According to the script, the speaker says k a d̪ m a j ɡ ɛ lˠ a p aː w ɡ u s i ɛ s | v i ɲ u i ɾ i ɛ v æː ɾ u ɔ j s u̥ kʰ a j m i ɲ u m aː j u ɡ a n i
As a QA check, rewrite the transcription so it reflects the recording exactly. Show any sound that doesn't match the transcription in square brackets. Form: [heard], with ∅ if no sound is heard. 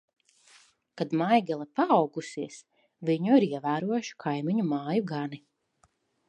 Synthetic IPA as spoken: k a d̪ m a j ɡ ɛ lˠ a p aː w ɡ u s i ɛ s | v i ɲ u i ɾ i ɛ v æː ɾ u ɔ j [ʃ] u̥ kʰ a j m i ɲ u m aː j u ɡ a n i